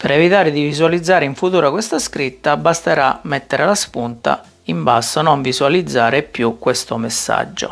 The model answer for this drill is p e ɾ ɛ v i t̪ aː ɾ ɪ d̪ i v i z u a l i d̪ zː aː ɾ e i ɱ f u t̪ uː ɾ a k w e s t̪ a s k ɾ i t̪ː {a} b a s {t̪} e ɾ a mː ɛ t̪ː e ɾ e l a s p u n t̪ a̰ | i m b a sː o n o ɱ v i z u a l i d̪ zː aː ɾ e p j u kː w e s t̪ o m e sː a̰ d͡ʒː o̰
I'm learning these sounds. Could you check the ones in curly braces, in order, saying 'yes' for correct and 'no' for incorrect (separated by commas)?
yes, yes